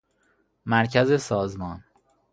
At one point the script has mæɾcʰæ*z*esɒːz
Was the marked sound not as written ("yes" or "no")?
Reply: no